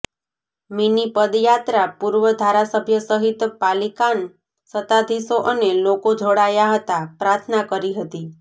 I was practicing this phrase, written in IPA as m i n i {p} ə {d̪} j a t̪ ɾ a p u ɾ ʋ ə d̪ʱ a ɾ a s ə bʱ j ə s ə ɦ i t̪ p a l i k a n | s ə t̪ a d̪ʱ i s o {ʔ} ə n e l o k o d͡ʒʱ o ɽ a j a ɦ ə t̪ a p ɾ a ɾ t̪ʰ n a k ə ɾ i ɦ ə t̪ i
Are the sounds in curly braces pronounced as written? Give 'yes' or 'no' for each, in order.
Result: yes, yes, yes

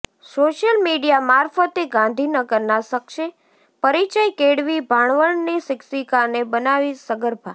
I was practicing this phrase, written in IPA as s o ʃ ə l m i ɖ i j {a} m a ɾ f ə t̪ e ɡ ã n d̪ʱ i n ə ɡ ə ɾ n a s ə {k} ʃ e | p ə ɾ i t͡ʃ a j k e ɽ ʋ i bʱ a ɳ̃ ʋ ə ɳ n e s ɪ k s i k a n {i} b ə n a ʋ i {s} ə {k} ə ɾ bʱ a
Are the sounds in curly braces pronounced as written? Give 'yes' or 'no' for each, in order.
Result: yes, yes, no, yes, no

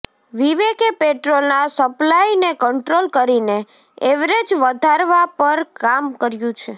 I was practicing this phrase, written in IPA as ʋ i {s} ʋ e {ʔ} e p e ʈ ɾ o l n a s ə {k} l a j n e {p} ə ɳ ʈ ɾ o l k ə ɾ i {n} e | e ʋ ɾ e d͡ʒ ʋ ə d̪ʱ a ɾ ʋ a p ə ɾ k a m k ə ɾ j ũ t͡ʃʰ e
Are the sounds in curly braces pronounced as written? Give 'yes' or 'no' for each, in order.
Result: no, no, no, no, yes

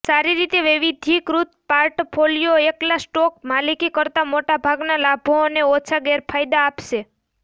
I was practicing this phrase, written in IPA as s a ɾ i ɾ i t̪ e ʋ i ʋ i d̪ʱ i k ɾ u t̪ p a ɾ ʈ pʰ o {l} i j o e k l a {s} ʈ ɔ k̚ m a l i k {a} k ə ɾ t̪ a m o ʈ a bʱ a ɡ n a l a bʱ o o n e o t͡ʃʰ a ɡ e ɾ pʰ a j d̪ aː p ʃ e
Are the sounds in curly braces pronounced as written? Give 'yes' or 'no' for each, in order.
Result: yes, yes, no

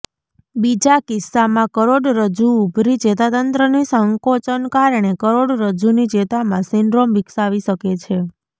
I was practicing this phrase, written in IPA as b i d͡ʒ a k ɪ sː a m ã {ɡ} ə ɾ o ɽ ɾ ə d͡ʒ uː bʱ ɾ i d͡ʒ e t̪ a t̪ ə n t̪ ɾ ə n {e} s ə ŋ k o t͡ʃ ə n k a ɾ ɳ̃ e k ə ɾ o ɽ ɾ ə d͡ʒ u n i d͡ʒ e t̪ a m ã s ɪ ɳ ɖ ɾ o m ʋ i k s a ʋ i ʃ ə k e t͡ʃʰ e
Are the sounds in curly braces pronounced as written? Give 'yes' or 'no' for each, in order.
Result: no, no

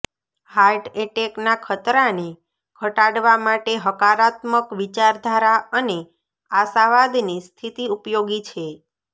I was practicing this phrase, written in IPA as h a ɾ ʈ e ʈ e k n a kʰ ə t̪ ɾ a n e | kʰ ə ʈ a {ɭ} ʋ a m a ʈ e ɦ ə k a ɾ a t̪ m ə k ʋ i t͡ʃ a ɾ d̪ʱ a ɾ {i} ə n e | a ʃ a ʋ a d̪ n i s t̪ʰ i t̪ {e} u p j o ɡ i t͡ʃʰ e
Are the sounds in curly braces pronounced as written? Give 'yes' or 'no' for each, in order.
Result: no, no, no

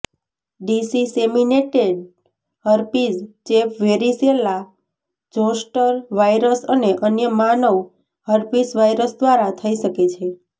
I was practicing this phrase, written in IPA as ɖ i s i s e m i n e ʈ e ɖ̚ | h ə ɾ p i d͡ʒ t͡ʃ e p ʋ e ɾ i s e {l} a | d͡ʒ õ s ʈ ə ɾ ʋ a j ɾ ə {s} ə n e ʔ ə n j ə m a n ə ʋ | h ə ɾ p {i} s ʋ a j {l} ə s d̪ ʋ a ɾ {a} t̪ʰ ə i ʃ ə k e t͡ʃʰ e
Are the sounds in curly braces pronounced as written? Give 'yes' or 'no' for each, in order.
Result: yes, yes, yes, no, yes

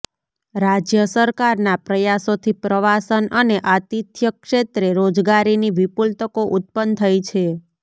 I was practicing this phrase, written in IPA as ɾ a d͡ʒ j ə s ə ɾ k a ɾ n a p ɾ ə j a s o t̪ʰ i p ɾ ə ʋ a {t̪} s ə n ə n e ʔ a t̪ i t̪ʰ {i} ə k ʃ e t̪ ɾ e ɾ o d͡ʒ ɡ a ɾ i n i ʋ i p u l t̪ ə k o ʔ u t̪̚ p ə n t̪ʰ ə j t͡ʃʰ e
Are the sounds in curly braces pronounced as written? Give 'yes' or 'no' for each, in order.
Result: no, no

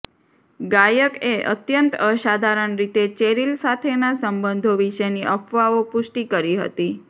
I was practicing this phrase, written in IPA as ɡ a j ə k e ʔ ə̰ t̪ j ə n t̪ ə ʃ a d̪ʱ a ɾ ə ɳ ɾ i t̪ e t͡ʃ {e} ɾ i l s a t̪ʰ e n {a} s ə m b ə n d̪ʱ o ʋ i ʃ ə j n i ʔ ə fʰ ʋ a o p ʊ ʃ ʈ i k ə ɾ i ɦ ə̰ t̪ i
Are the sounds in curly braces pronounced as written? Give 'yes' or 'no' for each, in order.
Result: yes, yes

